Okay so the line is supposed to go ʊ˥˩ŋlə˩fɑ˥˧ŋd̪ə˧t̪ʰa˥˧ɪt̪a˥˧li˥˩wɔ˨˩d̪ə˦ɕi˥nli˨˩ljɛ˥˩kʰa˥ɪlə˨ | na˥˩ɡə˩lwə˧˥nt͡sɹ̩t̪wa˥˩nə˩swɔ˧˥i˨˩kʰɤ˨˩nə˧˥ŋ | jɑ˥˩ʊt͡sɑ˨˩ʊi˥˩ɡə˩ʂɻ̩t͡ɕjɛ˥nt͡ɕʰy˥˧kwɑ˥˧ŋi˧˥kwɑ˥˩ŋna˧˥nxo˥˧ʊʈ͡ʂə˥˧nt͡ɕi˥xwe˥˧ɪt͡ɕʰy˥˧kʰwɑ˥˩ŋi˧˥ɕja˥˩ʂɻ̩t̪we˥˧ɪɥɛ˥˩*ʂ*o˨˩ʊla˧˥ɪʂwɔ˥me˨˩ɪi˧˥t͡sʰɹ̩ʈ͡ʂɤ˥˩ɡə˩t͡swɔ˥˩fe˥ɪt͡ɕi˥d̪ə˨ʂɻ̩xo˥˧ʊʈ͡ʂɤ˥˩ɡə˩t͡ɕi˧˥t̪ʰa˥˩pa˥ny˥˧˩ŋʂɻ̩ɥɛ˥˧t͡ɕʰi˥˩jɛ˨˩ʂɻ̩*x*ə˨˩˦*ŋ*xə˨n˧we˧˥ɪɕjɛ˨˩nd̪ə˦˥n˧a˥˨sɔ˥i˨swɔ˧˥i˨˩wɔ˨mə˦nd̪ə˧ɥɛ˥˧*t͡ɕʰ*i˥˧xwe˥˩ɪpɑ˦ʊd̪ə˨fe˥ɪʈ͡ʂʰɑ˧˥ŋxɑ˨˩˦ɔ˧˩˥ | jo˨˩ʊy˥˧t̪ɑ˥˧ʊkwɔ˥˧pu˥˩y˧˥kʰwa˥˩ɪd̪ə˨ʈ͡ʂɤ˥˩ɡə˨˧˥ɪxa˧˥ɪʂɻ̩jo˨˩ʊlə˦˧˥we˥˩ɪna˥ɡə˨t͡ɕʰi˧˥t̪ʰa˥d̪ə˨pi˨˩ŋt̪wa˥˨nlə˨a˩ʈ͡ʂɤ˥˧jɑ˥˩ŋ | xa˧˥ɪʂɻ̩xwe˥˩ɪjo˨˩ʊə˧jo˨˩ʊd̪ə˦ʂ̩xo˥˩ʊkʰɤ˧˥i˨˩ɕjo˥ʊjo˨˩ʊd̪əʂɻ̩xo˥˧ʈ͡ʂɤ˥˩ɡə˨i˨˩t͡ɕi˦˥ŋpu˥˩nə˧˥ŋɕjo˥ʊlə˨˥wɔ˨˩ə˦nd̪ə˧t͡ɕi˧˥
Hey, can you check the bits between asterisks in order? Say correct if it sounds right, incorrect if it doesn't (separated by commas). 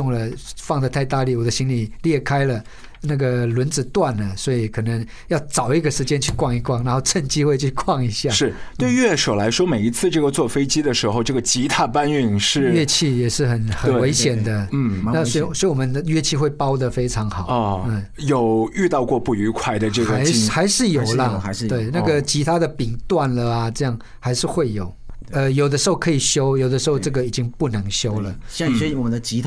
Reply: correct, correct, incorrect, correct